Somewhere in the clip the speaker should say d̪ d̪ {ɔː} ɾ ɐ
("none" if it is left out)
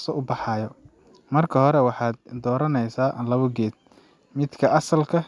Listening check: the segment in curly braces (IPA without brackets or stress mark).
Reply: ɔː